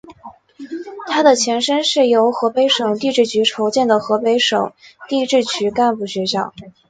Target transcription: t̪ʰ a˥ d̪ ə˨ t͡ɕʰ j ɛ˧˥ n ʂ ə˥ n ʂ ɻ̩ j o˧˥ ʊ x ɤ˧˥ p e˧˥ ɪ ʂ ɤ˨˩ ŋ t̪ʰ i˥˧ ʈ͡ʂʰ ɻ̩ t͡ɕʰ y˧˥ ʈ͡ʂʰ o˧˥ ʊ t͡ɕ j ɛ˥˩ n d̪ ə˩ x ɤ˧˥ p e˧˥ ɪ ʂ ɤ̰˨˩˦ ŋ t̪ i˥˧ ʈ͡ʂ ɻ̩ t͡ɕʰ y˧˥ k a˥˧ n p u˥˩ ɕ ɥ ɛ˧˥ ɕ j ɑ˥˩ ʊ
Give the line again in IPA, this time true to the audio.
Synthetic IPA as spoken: t̪ʰ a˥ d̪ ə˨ t͡ɕʰ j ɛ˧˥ n ʂ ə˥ n ʂ ɻ̩ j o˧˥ ʊ x ɤ˧˥ p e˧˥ ɪ ʂ ɤ˨˩ ŋ t̪ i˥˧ ʈ͡ʂ ɻ̩ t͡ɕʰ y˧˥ ʈ͡ʂʰ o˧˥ ʊ t͡ɕ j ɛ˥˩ n d̪ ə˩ x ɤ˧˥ p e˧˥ ɪ ʂ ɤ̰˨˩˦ ŋ t̪ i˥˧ ʈ͡ʂ ɻ̩ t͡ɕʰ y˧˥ k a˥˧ n p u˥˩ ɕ ɥ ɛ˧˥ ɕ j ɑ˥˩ ʊ

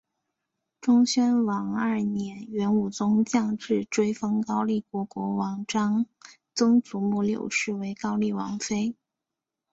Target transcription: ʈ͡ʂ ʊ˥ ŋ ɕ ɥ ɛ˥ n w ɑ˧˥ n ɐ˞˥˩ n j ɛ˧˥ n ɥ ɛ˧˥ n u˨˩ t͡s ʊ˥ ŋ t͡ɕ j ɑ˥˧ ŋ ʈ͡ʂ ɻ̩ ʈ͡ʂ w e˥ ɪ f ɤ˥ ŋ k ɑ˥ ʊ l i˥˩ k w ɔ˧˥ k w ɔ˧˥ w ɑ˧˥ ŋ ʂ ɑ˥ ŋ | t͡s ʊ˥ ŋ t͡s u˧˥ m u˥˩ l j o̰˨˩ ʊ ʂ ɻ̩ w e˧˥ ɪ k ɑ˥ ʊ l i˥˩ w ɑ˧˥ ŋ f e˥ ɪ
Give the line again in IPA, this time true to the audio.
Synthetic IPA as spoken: ʈ͡ʂ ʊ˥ ŋ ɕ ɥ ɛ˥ n w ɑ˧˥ ŋ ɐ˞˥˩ n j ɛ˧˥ n ɥ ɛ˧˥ n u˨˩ t͡s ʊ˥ ŋ t͡ɕ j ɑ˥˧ ŋ ʈ͡ʂ ɻ̩ ʈ͡ʂ w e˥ ɪ f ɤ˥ ŋ k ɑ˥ ʊ l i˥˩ k w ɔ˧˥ k w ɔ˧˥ w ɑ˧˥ ŋ ʈ͡ʂ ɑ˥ ŋ | t͡s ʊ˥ ŋ t͡s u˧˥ m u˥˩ l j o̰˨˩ ʊ ʂ ɻ̩ w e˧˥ ɪ k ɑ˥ ʊ l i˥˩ w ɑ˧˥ ŋ f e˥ ɪ

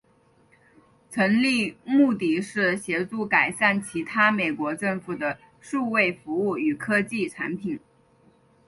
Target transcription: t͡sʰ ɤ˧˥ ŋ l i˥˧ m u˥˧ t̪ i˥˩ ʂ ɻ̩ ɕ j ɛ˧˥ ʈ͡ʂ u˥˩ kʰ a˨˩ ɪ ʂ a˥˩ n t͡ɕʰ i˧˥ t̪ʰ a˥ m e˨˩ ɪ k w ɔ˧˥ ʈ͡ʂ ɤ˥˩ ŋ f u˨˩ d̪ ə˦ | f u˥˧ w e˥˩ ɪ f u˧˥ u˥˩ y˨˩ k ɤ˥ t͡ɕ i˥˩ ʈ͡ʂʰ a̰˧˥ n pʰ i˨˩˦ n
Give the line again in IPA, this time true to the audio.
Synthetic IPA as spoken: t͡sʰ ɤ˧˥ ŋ l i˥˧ m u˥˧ t̪ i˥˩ ʂ ɻ̩ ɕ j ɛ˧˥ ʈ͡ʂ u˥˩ k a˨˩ ɪ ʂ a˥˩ n t͡ɕʰ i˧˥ t̪ʰ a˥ m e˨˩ ɪ k w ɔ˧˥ ʈ͡ʂ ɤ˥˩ ŋ f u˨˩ d̪ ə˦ | ʂ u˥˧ w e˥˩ ɪ f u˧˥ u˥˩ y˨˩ kʰ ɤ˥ t͡ɕ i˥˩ ʈ͡ʂʰ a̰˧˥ n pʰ i˨˩˦ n

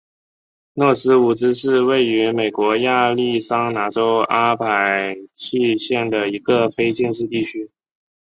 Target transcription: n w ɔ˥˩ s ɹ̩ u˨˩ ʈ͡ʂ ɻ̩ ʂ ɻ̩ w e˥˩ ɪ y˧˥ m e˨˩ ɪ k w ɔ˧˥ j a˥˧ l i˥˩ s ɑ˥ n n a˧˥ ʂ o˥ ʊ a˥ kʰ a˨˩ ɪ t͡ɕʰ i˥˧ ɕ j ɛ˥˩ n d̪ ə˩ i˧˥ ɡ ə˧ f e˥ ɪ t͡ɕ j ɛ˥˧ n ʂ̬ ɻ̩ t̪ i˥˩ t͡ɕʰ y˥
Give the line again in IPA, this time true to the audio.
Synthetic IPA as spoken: n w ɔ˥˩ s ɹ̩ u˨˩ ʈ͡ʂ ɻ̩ ʂ ɻ̩ w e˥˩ ɪ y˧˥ m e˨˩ ɪ k w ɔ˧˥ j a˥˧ l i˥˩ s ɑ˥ ŋ n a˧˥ ʈ͡ʂ o˥ ʊ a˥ pʰ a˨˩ ɪ t͡ɕʰ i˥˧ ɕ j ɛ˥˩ n d̪ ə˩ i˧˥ ɡ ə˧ f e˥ ɪ t͡ɕ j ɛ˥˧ n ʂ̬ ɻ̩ t̪ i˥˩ t͡ɕʰ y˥

